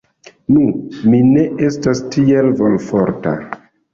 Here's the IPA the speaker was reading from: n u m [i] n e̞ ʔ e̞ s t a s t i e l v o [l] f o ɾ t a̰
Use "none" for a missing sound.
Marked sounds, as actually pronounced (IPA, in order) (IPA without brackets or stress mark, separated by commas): i, l